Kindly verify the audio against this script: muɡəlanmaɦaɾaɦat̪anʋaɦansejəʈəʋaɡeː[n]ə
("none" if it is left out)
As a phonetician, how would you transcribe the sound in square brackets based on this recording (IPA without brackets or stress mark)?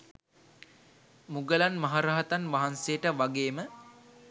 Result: m